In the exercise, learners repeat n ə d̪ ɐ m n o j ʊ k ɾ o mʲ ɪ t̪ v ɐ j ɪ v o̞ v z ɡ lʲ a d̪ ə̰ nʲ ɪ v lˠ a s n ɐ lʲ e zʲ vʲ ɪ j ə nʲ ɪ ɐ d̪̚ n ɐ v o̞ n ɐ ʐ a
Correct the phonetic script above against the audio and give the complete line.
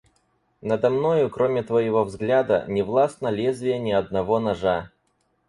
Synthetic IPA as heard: n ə d̪ ɐ m n o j ʊ k ɾ o mʲ ɪ t̪ v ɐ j ɪ v o̞ v z ɡ lʲ a d̪ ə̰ nʲ ɪ v lˠ a s n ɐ lʲ e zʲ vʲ ɪ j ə nʲ ɪ ɐ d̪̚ n ɐ v o̞ n ɐ ʐ a